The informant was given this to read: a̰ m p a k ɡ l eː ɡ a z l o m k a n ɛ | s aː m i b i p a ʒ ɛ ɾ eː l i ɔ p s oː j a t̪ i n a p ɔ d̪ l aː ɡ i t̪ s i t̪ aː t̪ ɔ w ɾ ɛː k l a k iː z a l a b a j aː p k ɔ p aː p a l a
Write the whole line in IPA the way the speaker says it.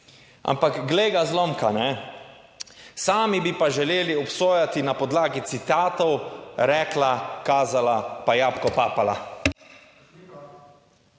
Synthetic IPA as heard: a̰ m p a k ɡ l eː ɡ a z l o m k a n ɛ | s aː m i b i p a ʒ ɛ l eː l i ɔ p s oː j a t̪ i n a p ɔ d̪ l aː ɡ i t̪ s i t̪ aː t̪ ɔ w ɾ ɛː k l a k aː z a l a p a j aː p k ɔ p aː p a l a